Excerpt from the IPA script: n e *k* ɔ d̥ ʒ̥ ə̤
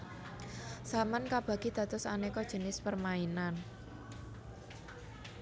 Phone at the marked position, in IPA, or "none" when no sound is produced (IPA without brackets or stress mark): k